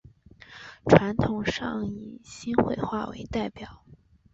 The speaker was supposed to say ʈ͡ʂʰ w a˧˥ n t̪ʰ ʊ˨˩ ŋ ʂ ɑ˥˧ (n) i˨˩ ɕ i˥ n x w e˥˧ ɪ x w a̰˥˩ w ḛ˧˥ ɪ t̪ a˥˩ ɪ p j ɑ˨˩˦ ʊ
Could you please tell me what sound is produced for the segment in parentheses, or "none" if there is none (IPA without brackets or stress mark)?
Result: ŋ